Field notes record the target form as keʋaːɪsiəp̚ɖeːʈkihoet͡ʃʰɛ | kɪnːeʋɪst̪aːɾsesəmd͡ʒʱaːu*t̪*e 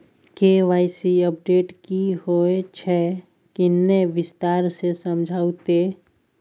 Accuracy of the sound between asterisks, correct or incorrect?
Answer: correct